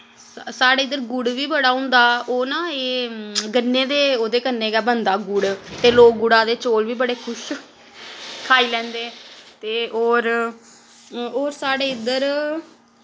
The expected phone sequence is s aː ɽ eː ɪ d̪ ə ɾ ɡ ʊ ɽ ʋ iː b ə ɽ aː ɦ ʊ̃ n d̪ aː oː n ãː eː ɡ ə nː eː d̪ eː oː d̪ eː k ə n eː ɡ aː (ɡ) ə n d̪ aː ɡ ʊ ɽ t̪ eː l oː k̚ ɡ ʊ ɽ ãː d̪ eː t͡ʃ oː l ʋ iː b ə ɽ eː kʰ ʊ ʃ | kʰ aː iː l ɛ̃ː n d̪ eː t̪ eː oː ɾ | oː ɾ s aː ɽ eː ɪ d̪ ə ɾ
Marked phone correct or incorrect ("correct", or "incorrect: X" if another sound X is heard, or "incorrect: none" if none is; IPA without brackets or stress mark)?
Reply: incorrect: b